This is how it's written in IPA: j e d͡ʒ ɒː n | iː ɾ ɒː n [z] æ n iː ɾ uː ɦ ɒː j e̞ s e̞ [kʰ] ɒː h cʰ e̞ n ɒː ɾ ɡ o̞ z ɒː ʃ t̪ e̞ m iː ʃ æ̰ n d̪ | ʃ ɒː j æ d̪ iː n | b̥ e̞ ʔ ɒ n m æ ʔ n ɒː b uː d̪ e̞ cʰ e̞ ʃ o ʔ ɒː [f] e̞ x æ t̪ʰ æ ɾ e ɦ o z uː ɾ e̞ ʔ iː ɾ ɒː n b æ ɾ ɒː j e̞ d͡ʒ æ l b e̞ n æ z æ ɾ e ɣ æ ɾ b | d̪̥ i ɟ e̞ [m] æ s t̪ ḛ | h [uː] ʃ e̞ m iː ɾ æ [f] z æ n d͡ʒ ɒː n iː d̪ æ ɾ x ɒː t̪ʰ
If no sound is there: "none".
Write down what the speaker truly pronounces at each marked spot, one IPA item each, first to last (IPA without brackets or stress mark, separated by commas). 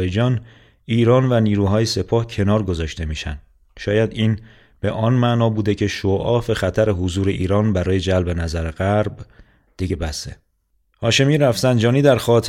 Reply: v, pʰ, f, b, ɒː, f